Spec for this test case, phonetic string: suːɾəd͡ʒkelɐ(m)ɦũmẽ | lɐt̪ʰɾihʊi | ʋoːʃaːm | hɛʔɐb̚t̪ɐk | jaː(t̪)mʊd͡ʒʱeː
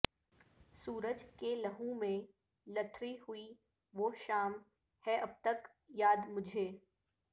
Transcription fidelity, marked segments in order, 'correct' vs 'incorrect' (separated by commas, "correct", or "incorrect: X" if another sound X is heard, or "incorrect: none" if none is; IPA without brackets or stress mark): incorrect: none, incorrect: d̪